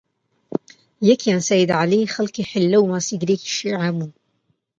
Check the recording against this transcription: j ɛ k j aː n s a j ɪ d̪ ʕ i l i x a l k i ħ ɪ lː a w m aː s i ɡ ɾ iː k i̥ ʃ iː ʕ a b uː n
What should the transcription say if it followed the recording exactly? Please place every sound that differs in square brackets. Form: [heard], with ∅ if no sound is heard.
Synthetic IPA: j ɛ k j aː n s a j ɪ d̪ ʕ [a] l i x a l k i ħ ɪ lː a w m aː s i ɡ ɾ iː k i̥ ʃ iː ʕ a b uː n